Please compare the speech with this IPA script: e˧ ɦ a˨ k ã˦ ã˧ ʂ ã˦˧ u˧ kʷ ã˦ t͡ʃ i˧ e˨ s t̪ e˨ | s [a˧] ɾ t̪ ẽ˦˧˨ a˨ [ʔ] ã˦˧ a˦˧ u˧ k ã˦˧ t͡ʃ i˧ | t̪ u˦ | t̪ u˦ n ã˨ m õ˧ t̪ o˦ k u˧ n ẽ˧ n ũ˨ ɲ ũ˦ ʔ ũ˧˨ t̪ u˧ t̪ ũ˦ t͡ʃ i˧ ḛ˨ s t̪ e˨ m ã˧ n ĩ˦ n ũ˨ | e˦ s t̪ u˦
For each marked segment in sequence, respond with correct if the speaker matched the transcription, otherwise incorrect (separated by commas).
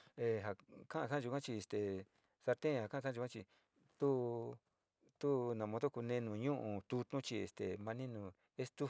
correct, incorrect